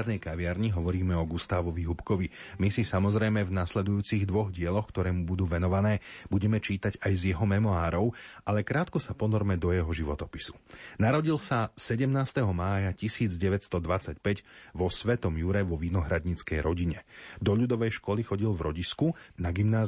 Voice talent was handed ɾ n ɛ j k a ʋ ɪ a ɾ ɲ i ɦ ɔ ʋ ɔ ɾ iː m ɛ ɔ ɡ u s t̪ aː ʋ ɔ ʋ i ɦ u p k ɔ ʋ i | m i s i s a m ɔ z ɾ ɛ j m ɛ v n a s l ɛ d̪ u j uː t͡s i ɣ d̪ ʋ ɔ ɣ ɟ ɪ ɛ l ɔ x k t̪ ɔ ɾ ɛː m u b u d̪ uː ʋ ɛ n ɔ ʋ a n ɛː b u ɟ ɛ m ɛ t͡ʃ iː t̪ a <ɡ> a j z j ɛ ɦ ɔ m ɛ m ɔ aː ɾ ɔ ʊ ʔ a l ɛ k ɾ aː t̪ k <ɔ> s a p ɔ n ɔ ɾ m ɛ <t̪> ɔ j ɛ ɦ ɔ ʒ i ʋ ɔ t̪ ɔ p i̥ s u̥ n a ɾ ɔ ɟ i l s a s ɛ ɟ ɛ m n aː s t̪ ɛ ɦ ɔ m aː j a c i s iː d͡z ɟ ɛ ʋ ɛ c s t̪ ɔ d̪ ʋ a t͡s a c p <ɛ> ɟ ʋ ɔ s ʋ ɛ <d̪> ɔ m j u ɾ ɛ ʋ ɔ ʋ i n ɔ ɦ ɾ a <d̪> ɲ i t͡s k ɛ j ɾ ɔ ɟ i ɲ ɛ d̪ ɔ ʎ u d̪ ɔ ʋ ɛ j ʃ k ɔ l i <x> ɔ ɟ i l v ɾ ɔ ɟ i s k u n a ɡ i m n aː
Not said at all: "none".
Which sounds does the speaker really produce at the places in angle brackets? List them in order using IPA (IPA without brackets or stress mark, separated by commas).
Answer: ɟ, ɔ, d̪, ɛ, t̪, d̪, x